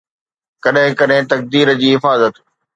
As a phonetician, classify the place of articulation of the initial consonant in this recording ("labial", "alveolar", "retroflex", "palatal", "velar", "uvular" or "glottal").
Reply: velar